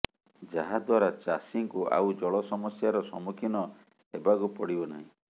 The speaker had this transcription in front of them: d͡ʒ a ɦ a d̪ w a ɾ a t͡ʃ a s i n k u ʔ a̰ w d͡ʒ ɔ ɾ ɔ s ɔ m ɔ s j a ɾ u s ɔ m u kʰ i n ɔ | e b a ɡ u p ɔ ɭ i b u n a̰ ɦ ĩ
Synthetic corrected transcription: d͡ʒ a ɦ a d̪ w a ɾ a t͡ʃ a s i ŋ k u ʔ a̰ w d͡ʒ ɔ ɭ ɔ s ɔ m ɔ s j a ɾ ɔ s ɔ m u kʰ i n ɔ | e b a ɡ u p ɔ ɽ i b ɔ n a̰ ɦ ĩ